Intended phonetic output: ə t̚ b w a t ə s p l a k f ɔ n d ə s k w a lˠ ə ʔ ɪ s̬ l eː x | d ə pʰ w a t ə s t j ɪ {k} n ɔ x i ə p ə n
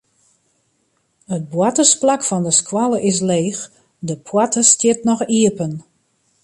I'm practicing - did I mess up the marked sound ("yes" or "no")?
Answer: yes